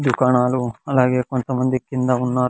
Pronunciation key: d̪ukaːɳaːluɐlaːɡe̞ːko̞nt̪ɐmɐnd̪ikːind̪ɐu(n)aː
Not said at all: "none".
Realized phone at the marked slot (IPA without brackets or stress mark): nː